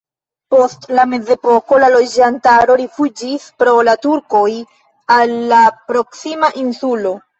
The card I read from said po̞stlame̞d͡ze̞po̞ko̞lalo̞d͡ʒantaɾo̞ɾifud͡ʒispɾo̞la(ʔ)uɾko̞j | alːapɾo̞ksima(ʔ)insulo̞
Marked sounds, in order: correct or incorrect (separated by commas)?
incorrect, correct